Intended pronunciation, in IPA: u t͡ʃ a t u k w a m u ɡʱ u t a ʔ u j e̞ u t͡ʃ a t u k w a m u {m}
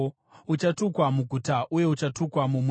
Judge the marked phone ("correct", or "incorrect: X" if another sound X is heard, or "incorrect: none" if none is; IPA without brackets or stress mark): correct